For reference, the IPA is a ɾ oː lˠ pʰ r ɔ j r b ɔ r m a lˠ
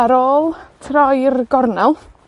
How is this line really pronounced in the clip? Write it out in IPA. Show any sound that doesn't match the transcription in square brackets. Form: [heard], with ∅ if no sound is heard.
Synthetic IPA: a ɾ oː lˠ [tʰ] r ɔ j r [ɡ] ɔ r [n] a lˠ